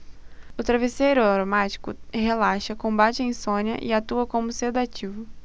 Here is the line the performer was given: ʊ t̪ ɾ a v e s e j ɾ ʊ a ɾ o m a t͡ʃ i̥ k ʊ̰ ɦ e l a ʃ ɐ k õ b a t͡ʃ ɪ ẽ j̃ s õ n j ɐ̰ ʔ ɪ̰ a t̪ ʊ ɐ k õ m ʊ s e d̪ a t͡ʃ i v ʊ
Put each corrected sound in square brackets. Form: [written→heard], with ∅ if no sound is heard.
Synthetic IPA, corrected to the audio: ʊ t̪ ɾ a v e s e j ɾ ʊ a ɾ o m a t͡ʃ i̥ k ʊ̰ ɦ e l a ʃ ɐ k õ b a t͡ʃ ɪ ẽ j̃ s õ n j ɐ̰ ʔ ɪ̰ a t̪ [ʊ→u] ɐ k õ m ʊ s e d̪ a t͡ʃ i v ʊ